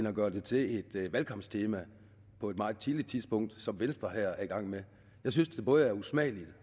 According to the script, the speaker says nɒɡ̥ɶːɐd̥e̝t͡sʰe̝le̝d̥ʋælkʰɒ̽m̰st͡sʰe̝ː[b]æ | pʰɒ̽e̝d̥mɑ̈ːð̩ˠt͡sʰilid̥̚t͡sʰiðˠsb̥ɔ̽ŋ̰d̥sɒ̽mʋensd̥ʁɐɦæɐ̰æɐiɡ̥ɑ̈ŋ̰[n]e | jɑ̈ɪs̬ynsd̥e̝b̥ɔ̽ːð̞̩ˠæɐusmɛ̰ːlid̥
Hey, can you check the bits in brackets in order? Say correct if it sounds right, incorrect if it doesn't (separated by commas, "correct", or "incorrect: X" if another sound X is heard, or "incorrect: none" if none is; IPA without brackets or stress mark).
incorrect: m, incorrect: m